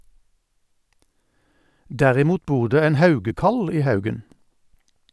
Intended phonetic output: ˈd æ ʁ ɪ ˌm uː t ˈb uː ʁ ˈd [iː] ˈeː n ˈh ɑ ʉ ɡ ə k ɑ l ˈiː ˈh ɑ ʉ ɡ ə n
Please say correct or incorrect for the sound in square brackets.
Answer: incorrect